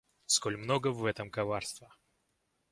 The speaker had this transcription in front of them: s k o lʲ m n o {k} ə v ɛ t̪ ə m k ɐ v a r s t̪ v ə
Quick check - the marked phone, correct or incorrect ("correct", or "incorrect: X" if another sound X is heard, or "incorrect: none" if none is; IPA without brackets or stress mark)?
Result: incorrect: ɡ